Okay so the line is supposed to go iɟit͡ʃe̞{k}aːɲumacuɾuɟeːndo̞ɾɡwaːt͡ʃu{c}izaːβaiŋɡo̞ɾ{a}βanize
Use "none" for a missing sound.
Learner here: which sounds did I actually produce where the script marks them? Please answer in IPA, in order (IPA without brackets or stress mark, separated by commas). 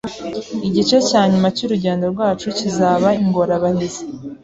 c, c, a